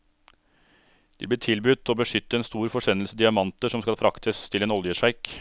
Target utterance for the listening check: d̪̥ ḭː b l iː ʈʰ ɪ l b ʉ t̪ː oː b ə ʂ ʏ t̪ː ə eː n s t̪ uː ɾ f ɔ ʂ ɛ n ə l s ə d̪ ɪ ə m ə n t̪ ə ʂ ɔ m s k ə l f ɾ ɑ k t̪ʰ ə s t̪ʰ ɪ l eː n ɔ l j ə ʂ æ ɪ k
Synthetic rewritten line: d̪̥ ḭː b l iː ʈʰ ɪ l b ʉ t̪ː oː b ə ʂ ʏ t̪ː ə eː n s t̪ uː ɾ f ɔ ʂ ɛ n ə l s ə d̪ ɪ ɑ m ɑ n t̪ ə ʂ ɔ m s k ɑ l f ɾ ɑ k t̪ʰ ə s t̪ʰ ɪ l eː n ɔ l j ə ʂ æ ɪ k